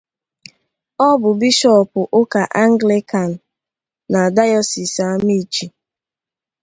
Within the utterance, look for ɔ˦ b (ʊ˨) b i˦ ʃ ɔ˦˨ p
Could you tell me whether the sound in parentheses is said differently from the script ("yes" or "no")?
no